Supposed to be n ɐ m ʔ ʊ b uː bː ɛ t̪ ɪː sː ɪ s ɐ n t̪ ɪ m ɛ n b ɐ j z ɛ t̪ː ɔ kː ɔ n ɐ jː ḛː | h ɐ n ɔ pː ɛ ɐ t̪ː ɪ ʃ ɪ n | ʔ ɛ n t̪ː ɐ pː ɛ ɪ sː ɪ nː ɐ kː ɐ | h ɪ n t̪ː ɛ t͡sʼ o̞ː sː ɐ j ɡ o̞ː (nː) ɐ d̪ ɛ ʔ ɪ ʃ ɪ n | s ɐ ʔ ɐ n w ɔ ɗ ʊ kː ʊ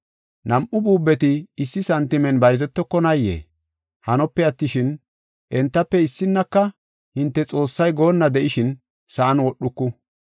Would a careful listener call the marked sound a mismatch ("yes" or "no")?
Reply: no